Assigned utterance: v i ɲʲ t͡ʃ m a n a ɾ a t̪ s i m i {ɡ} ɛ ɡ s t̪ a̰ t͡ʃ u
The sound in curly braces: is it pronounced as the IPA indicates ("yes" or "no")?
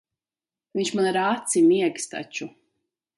no